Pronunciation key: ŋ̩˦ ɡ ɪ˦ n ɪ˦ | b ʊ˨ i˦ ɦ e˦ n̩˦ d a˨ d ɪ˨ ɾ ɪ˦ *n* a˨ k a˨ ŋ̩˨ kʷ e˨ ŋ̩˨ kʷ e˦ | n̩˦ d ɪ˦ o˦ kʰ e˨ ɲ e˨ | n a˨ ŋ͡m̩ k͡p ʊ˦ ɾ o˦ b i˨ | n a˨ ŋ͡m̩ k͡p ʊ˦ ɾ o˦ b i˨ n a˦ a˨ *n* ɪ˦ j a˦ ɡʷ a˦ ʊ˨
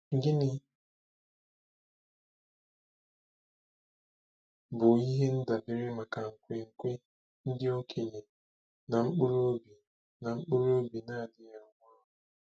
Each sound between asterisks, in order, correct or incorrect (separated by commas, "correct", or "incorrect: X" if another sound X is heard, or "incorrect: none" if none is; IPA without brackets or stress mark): incorrect: m, incorrect: d